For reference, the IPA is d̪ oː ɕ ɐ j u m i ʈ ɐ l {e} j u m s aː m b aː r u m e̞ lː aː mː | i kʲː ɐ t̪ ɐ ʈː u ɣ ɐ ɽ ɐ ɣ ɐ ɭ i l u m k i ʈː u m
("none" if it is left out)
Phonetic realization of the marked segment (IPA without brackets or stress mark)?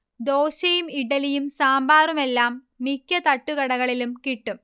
i